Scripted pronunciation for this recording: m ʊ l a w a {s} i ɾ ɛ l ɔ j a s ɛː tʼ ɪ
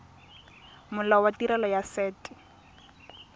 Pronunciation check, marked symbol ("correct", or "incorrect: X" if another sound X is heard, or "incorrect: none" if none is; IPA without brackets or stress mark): incorrect: t